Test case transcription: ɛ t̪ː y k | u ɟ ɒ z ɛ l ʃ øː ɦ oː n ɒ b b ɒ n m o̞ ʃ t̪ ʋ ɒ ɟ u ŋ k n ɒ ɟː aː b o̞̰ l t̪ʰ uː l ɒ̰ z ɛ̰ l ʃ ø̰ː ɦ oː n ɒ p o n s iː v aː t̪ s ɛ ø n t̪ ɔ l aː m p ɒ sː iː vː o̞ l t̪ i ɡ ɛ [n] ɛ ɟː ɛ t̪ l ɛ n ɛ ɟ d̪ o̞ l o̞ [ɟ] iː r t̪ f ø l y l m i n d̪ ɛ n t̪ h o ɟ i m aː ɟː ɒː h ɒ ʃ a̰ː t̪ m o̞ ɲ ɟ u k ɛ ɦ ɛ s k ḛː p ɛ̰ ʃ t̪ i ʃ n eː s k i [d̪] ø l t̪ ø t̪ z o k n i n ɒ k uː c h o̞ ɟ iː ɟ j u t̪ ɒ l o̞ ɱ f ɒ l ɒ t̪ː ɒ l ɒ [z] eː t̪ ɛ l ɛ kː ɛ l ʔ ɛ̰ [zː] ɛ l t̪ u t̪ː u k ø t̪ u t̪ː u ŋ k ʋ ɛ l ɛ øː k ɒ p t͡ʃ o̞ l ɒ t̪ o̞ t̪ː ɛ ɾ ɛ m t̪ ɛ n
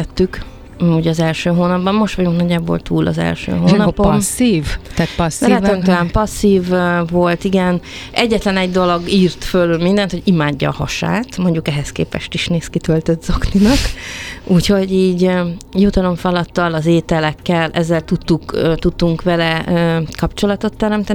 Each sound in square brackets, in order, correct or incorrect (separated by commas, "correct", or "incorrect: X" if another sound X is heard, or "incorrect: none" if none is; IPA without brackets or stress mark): correct, incorrect: ɡ, incorrect: t̪, correct, correct